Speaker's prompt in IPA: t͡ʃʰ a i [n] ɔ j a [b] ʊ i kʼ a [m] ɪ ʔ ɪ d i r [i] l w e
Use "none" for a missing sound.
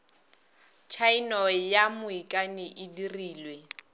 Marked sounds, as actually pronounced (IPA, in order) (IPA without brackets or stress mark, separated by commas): n, m, n, iː